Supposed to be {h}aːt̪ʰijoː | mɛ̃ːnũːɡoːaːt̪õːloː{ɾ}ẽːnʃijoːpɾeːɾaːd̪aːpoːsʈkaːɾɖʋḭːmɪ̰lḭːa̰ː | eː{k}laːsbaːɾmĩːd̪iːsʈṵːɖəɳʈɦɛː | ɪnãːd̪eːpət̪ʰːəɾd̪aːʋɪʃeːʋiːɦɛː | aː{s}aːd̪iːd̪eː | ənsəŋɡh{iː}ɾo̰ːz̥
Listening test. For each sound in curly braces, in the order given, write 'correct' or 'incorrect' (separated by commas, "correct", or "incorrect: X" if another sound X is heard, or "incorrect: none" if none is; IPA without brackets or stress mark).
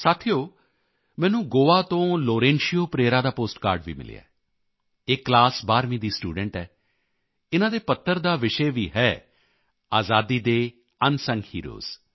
incorrect: s, correct, correct, incorrect: z, correct